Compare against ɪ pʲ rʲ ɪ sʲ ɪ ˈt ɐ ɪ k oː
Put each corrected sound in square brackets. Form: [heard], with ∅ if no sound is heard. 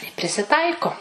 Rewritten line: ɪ pʲ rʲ ɪ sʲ ɪ ˈt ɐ ɪ k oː